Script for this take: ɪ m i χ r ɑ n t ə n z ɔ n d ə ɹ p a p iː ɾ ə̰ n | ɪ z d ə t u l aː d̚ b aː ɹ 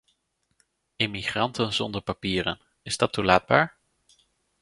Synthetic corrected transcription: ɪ m i χ r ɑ n t ə n z ɔ n d ə ɹ p a p iː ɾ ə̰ n | ɪ z d ɑ t u l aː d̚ b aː ɹ